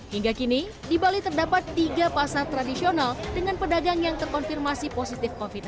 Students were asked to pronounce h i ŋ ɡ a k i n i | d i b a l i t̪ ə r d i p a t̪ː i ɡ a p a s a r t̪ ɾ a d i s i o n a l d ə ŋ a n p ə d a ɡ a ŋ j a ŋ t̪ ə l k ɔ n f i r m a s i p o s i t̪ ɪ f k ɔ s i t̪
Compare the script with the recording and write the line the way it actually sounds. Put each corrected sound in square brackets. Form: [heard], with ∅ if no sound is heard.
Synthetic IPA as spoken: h i ŋ ɡ a k i n i | d i b a l i t̪ ə r d [a] p a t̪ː i ɡ a p a s a r t̪ ɾ a d i s i o n a l d ə ŋ a n p ə d a ɡ a ŋ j a ŋ t̪ ə [r] k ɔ n f i r m a s i p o s i t̪ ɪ f k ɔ [f] i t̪